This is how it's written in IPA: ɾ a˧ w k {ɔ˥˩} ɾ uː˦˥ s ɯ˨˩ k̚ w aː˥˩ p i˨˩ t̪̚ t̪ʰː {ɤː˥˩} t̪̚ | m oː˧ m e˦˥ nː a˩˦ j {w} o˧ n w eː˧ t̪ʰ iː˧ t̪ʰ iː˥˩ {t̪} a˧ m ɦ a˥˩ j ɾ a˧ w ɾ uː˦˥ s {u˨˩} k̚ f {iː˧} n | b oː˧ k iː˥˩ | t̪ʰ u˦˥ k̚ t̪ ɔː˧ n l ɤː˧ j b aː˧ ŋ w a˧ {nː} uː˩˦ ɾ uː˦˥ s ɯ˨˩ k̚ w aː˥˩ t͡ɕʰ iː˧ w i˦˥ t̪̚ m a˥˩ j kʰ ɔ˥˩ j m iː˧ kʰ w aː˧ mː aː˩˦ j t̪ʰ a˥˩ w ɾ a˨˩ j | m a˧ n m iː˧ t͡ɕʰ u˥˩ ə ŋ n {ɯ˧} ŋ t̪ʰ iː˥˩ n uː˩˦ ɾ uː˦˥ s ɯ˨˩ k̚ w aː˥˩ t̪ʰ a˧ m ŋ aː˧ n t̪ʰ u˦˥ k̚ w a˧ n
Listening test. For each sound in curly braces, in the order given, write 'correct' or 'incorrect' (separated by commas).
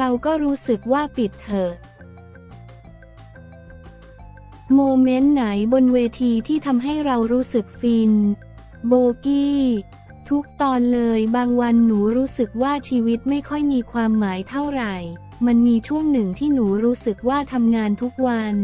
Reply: incorrect, incorrect, incorrect, incorrect, incorrect, correct, correct, incorrect